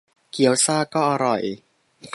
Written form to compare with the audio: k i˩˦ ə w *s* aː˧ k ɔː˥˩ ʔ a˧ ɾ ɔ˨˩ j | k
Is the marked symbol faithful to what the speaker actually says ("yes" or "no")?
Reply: yes